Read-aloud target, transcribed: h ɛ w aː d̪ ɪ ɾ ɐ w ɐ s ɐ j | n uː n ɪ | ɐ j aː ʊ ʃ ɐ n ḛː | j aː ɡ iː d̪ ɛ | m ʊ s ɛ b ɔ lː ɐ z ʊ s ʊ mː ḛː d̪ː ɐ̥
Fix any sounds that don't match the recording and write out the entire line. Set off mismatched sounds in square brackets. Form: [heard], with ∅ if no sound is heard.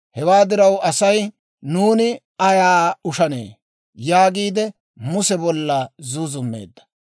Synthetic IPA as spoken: h ɛ w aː d̪ ɪ ɾ ɐ w ɐ s ɐ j | n uː n ɪ | ɐ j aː ʊ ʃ ɐ n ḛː | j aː ɡ iː d̪ ɛ | m ʊ s ɛ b ɔ lː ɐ z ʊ [z] ʊ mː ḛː d̪ː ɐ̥